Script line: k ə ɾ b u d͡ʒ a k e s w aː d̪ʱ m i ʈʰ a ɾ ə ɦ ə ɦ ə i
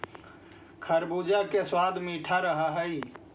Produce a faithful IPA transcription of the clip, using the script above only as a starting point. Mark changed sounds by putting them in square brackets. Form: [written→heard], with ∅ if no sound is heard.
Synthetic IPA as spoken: [k→kʰ] ə ɾ b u d͡ʒ a k e s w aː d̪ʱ m i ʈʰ a ɾ ə ɦ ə ɦ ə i